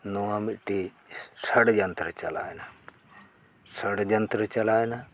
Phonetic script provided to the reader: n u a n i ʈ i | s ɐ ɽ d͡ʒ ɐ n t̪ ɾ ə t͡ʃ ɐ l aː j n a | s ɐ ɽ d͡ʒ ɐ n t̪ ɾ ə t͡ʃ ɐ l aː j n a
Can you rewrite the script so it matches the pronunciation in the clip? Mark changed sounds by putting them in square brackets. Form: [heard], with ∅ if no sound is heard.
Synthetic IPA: n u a [m] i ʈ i | s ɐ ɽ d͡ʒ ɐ n t̪ ɾ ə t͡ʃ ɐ l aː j n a | s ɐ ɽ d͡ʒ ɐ n t̪ ɾ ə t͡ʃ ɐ l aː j n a